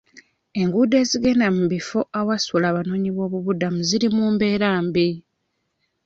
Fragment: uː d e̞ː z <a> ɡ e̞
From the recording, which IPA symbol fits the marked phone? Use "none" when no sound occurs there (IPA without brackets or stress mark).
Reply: i